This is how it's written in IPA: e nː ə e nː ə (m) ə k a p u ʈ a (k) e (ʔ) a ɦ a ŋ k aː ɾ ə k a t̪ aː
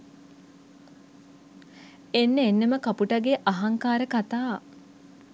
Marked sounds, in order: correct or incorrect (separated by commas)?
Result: correct, incorrect, correct